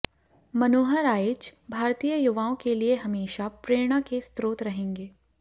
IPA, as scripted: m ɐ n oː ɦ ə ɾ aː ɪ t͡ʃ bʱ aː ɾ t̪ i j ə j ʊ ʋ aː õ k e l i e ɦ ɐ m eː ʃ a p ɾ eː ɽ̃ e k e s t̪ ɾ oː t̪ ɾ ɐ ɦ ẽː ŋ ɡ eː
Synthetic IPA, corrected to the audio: m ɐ n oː ɦ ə ɾ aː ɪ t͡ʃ bʱ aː ɾ t̪ i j ə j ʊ ʋ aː õ k e l i e ɦ ɐ m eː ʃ a p ɾ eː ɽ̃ a k e s t̪ ɾ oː t̪ ɾ ɐ ɦ ẽː ŋ ɡ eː